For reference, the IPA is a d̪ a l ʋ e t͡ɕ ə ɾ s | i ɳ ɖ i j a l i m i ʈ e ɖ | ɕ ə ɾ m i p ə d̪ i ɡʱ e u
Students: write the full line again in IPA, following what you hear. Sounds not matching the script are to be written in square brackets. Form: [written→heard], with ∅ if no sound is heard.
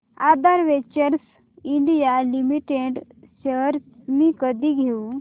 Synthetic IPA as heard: a d̪ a [l→ɾ] ʋ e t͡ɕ ə ɾ s | i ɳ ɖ i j a l i m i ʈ e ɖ | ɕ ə ɾ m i [p→k] ə d̪ i ɡʱ e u